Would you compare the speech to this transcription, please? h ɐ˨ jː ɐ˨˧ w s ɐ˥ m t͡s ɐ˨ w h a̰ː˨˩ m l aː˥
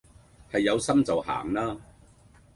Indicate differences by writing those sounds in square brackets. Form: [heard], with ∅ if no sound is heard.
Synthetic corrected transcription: h ɐ˨ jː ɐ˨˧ w s ɐ˥ m t͡s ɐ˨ w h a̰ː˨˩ [ŋ] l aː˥